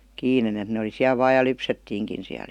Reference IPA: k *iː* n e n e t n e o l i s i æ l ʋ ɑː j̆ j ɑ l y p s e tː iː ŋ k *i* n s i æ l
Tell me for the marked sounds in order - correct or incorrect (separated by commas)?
correct, correct